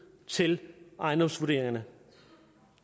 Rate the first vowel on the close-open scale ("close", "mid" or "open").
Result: mid